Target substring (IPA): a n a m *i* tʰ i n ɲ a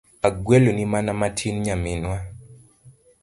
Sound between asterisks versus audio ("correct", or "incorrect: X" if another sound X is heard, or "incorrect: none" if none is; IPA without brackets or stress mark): incorrect: a